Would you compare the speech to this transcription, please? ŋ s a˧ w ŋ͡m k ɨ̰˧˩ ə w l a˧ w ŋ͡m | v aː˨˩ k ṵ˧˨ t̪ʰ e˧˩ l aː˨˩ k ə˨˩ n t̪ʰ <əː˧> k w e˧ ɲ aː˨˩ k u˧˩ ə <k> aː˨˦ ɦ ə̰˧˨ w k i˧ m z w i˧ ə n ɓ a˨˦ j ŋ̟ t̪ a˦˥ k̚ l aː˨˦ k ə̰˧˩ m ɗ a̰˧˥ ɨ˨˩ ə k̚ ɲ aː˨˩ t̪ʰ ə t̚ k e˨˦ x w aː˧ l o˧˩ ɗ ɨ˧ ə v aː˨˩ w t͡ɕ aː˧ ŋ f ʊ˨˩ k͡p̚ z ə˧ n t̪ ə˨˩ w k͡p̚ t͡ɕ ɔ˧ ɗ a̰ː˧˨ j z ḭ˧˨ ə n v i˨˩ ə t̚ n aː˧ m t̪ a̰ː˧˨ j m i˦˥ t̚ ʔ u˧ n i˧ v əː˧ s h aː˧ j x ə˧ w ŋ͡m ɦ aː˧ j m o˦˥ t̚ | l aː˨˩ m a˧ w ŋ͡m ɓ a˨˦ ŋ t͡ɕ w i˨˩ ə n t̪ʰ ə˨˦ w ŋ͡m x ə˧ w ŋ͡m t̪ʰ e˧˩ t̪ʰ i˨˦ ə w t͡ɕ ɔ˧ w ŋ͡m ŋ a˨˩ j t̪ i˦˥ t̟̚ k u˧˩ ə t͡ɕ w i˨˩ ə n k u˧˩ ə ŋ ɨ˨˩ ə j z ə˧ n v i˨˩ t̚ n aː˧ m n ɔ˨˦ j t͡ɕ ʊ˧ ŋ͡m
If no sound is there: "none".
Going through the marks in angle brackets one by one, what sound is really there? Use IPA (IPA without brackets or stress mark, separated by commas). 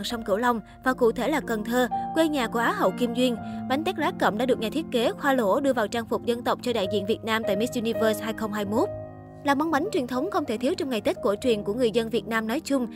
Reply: əː˧, ʔ